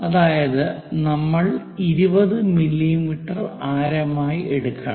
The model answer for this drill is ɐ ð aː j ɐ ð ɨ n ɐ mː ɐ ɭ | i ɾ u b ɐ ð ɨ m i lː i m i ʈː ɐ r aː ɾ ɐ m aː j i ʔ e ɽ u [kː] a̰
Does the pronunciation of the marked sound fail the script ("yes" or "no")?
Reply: no